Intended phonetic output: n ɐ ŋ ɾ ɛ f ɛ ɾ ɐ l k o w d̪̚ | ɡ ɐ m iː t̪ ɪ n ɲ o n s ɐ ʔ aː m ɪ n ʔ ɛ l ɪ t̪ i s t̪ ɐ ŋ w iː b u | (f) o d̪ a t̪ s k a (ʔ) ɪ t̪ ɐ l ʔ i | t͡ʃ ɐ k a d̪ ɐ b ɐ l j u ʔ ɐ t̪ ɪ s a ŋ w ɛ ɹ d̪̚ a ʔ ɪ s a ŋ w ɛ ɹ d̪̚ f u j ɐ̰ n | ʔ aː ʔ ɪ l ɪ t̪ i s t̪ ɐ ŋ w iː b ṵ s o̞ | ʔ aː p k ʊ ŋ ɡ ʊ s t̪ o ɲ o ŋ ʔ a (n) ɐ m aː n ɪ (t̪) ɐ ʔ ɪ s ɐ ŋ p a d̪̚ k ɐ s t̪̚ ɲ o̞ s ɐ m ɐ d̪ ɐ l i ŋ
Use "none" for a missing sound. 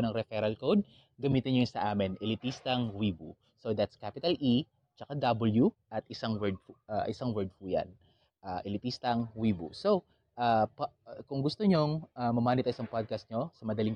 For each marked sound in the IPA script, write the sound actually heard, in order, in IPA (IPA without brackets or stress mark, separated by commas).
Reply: s, p, m, t̪